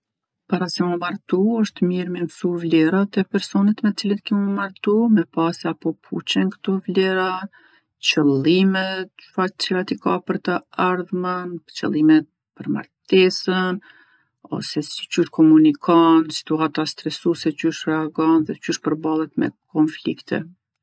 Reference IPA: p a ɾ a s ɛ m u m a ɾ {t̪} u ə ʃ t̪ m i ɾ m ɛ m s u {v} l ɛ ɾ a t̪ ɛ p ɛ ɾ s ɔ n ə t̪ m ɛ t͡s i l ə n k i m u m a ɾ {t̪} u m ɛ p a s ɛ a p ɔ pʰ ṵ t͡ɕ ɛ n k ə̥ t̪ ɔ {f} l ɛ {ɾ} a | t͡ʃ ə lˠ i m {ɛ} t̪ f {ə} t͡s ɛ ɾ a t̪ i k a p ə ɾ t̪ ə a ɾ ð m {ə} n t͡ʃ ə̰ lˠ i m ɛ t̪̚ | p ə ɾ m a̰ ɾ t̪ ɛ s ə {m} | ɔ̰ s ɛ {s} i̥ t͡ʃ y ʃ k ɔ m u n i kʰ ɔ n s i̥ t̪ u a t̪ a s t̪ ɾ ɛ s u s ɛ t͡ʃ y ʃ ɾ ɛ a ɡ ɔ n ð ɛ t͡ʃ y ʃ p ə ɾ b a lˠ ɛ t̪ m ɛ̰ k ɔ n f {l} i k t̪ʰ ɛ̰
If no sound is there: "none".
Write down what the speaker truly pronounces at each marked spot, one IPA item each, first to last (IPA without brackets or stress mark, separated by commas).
t̪, v, t̪, v, ɾ, ɛ, a, ə, n, s, l